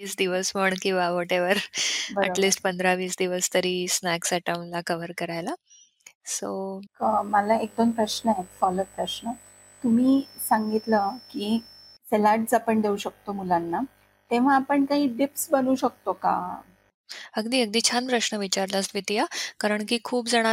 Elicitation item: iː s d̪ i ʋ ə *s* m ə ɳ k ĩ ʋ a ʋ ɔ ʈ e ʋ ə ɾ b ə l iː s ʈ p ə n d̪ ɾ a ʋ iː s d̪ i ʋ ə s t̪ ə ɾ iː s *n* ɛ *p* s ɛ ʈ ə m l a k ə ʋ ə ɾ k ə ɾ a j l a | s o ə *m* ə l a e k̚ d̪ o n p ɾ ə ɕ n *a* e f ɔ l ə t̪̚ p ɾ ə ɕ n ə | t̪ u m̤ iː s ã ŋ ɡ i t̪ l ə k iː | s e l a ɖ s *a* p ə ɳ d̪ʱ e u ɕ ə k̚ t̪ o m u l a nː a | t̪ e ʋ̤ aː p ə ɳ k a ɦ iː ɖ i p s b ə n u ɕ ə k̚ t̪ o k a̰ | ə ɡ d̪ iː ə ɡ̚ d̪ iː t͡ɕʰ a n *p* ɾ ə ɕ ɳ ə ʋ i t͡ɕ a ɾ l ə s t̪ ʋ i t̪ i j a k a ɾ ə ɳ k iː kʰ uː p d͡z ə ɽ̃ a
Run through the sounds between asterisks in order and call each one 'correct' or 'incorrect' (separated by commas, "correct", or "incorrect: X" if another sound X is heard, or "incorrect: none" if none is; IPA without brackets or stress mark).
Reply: correct, correct, incorrect: k, correct, incorrect: ə, correct, correct